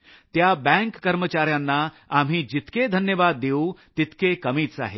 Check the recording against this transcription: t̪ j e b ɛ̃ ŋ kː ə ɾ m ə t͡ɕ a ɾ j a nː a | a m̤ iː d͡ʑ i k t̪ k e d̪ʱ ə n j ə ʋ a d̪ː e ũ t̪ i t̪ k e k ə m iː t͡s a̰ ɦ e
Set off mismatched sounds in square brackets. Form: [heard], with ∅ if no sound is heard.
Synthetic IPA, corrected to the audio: t̪ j [a] b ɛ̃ ŋ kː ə ɾ m ə t͡ɕ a ɾ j a nː a | a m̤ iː d͡ʑ i [∅] t̪ k e d̪ʱ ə n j ə ʋ a d̪ː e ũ t̪ i t̪ k e k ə m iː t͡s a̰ ɦ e